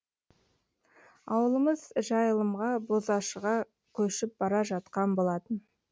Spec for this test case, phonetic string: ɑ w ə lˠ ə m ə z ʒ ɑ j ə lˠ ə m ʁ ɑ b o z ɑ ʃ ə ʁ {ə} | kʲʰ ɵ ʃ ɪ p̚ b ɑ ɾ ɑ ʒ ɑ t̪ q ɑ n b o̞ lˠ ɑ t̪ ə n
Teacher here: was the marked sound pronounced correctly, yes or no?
no